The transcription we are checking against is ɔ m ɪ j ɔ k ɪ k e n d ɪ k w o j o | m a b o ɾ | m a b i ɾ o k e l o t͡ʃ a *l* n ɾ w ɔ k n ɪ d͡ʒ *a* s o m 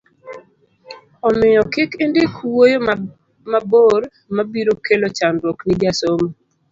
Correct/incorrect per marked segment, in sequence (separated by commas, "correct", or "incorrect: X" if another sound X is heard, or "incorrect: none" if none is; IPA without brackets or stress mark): incorrect: none, correct